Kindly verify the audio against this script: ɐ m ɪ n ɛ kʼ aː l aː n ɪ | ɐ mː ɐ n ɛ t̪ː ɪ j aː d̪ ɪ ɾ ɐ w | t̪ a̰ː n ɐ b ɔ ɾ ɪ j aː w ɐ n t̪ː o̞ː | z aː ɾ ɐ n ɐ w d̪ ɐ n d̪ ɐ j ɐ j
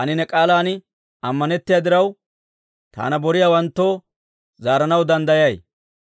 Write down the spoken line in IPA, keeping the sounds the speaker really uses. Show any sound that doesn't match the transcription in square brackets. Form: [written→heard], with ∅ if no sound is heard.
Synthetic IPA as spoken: ɐ [m→n] ɪ n ɛ kʼ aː l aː n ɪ | ɐ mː ɐ n ɛ t̪ː ɪ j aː d̪ ɪ ɾ ɐ w | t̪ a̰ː n ɐ b ɔ ɾ ɪ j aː w ɐ n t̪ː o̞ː | z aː ɾ ɐ n ɐ w d̪ ɐ n d̪ ɐ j ɐ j

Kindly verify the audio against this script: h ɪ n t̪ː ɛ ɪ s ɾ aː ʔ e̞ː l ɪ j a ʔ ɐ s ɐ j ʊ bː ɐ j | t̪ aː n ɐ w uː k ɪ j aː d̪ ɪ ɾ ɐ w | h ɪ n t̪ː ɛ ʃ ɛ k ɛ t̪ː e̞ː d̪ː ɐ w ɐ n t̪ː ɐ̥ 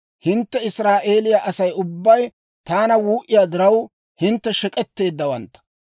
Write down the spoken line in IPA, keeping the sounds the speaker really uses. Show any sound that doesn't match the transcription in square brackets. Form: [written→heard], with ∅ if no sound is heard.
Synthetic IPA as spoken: h ɪ n t̪ː ɛ ɪ s ɾ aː ʔ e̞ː l ɪ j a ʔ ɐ s ɐ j ʊ bː ɐ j | t̪ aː n ɐ w uː [k→ʔ] ɪ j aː d̪ ɪ ɾ ɐ w | h ɪ n t̪ː ɛ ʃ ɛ [k→kʼ] ɛ t̪ː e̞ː d̪ː ɐ w ɐ n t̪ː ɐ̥

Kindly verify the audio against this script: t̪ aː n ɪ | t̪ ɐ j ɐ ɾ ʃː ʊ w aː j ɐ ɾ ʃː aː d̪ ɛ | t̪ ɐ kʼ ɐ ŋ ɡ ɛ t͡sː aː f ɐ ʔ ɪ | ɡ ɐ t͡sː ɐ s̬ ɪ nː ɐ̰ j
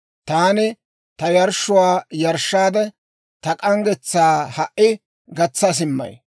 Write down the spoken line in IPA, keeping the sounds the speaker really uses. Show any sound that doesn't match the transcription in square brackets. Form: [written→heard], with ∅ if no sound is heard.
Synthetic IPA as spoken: t̪ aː n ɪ | t̪ ɐ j ɐ ɾ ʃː ʊ w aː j ɐ ɾ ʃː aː d̪ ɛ | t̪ ɐ kʼ ɐ ŋ ɡ ɛ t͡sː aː [f→h] ɐ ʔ ɪ | ɡ ɐ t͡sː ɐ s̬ ɪ [nː→mː] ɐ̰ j

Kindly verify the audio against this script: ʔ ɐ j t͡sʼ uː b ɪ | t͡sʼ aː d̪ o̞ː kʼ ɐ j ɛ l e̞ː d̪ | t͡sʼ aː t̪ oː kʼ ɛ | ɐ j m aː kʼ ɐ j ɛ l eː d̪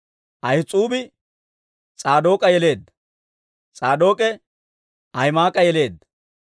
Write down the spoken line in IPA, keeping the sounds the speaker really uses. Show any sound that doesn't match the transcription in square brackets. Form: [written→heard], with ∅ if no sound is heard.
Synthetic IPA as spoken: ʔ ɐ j t͡sʼ uː b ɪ | t͡sʼ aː d̪ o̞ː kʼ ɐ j ɛ l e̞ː d̪ | t͡sʼ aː [t̪→d̪] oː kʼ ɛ | ɐ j m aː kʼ ɐ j ɛ l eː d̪

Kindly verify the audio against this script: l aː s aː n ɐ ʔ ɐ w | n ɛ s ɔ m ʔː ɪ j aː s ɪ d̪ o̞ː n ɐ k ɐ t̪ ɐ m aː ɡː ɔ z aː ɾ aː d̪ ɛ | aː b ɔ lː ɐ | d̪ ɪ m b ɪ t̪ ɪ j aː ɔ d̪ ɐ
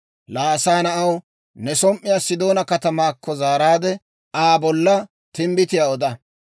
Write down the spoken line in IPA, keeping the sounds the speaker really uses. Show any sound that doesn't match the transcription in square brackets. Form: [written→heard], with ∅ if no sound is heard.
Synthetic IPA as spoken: l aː s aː n ɐ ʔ ɐ w | n ɛ s ɔ m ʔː ɪ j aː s ɪ d̪ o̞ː n ɐ k ɐ t̪ ɐ m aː [ɡː→kː] ɔ z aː ɾ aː d̪ ɛ | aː b ɔ lː ɐ | [d̪→t̪] ɪ m b ɪ t̪ ɪ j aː ɔ d̪ ɐ

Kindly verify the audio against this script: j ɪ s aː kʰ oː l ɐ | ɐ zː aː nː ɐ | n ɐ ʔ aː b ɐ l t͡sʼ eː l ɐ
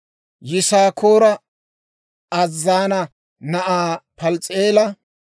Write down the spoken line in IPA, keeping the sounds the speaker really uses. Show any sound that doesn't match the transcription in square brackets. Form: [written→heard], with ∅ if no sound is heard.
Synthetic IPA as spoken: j ɪ s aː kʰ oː [l→ɾ] ɐ | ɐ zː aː [nː→n] ɐ | n ɐ ʔ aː [b→p] ɐ l t͡sʼ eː l ɐ

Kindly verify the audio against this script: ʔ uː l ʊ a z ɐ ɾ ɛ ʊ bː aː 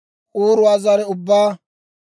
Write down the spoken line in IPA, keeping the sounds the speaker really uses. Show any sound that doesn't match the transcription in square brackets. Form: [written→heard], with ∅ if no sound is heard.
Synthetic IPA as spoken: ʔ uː [l→ɾ] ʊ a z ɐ ɾ ɛ ʊ bː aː

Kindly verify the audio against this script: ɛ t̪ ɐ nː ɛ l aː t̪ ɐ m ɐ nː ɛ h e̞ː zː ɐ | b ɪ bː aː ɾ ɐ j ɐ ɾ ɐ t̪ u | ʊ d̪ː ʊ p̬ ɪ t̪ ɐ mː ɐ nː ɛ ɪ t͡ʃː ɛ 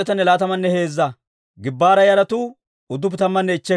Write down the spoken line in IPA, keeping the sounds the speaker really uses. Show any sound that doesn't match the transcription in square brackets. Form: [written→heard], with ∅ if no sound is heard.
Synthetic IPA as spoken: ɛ t̪ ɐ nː ɛ l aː t̪ ɐ m ɐ nː ɛ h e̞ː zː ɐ | [b→ɡ] ɪ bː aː ɾ ɐ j ɐ ɾ ɐ t̪ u | ʊ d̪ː ʊ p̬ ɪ t̪ ɐ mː ɐ nː ɛ ɪ t͡ʃː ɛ

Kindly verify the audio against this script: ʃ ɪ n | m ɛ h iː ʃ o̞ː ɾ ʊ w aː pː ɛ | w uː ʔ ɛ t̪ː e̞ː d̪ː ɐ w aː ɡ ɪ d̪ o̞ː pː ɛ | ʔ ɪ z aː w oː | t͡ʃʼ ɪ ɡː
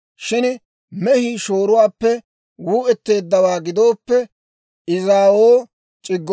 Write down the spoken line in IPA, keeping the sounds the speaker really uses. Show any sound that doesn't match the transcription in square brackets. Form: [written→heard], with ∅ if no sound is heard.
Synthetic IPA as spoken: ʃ ɪ n | m ɛ h iː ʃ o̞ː ɾ ʊ w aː pː ɛ | w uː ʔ ɛ t̪ː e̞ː d̪ː ɐ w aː ɡ ɪ d̪ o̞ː pː ɛ | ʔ ɪ z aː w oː | t͡ʃʼ ɪ ɡː

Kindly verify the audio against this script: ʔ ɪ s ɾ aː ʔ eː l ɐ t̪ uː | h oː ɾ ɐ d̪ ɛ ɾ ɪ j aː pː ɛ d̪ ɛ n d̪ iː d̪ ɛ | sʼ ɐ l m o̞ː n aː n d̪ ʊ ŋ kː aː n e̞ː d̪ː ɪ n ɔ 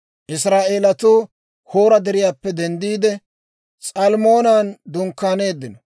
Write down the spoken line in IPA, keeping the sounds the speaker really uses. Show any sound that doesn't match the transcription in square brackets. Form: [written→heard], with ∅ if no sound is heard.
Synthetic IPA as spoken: ʔ ɪ s ɾ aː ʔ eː l ɐ t̪ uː | h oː ɾ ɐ d̪ ɛ ɾ ɪ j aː pː ɛ d̪ ɛ n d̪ iː d̪ ɛ | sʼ ɐ l m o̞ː n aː n d̪ ʊ ŋ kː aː n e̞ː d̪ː ɪ n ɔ

